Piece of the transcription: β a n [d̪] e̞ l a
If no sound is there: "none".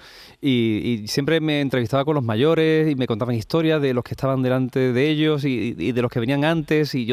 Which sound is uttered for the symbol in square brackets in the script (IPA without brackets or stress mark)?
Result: d̪